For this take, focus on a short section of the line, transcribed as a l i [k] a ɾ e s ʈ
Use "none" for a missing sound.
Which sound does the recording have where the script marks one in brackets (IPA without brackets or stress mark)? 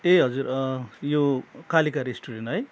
k